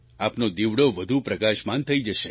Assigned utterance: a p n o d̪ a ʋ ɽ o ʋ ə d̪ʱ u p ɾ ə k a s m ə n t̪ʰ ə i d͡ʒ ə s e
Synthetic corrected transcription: a p n o d̪ i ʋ ɽ o ʋ ə d̪ʱ u p ɾ ə k a ʃ m a n t̪ʰ ə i d͡ʒ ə ʃ e